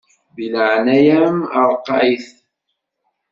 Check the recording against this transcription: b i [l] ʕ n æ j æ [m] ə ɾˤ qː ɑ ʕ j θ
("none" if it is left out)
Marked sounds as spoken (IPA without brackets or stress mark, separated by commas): l, m